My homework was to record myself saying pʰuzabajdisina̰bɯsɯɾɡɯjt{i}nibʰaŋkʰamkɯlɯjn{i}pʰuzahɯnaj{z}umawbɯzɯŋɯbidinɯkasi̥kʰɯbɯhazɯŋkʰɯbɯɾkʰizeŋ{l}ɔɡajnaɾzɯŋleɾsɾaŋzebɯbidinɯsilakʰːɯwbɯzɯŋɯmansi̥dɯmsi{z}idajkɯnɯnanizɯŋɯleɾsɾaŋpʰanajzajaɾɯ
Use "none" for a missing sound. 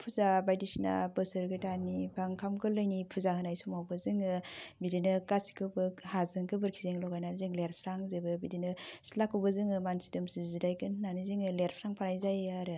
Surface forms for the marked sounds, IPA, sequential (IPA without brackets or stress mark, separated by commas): a, i, s, l, z